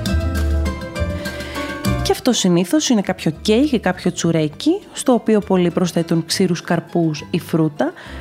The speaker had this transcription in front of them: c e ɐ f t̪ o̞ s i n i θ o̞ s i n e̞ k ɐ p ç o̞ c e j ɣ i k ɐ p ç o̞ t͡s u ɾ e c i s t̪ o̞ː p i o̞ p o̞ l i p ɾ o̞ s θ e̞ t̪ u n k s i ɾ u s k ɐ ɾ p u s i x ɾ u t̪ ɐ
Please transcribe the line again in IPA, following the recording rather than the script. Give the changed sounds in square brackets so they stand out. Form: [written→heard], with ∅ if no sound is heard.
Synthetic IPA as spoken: c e ɐ f t̪ o̞ s i n i θ o̞ s i n e̞ k ɐ p ç o̞ c e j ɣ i k ɐ p ç o̞ t͡s u ɾ e c i s t̪ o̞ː p i o̞ p o̞ l i p ɾ o̞ s θ e̞ t̪ u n k s i ɾ u s k ɐ ɾ p u s i [x→f] ɾ u t̪ ɐ